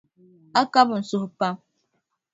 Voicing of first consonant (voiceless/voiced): voiceless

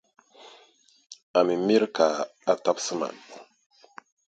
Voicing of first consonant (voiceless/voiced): voiced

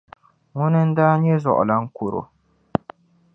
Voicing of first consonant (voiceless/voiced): voiced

